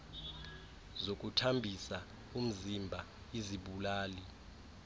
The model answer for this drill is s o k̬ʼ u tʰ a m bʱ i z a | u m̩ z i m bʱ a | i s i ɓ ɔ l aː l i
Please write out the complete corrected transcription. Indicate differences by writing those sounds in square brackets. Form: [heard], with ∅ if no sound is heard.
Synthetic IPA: [z] o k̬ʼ u tʰ a m bʱ i [s] a | u m̩ z i m bʱ a | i [z] i ɓ [u] l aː l i